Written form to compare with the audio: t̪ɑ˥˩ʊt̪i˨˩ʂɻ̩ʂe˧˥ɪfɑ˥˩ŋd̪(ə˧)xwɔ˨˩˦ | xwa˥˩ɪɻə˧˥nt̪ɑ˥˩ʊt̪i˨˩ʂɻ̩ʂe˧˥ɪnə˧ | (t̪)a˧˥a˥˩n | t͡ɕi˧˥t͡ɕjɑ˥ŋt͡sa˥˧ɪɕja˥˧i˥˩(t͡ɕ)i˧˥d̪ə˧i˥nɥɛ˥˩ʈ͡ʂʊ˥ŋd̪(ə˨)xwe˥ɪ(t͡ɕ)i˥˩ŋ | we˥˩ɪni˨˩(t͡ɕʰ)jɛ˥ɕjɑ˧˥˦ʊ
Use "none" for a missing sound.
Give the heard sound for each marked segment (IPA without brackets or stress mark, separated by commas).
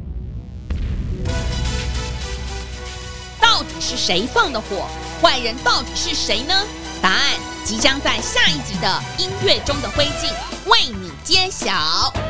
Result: ə˩, t̪, t͡ɕ, ə˨, t͡ɕ, t͡ɕ